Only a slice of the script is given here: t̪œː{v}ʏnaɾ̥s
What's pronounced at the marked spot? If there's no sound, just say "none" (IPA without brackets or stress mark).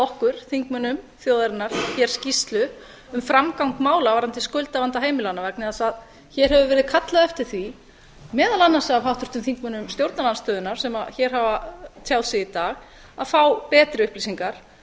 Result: ð